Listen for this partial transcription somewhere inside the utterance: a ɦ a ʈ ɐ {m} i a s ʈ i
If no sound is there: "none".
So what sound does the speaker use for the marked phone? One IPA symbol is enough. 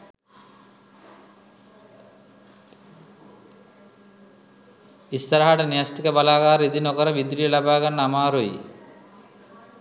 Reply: n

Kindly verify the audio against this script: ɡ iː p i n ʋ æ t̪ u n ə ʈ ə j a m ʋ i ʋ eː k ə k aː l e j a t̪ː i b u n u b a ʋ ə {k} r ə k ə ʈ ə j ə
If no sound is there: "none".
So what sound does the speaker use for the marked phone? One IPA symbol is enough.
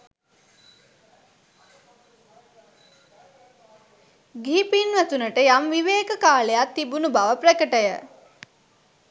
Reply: p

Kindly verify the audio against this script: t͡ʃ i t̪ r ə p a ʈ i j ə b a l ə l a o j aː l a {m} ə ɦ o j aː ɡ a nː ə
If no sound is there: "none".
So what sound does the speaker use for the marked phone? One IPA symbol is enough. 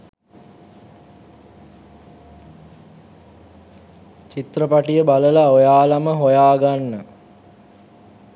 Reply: m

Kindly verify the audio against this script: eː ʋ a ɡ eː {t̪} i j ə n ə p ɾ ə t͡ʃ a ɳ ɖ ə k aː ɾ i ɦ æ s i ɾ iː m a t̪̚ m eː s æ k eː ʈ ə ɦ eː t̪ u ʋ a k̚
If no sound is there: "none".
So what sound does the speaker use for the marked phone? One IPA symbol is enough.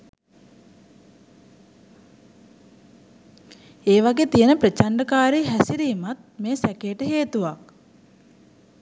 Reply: t̪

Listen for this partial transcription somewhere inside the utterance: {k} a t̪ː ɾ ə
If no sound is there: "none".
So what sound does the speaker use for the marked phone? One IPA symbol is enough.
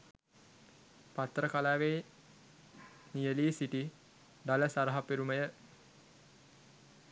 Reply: p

